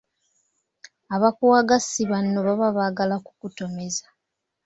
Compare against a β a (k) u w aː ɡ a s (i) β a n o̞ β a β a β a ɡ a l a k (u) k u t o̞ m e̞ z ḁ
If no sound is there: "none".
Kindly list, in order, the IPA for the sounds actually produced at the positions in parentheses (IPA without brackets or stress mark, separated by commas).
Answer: k, i, u